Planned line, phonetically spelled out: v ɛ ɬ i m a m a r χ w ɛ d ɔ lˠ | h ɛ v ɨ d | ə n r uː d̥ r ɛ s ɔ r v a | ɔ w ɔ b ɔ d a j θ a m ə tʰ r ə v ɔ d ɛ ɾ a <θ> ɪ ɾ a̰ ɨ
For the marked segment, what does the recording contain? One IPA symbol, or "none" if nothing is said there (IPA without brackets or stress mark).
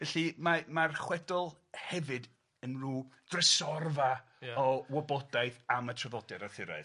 θ